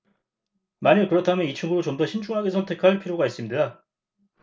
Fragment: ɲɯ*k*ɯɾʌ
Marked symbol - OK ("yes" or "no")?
yes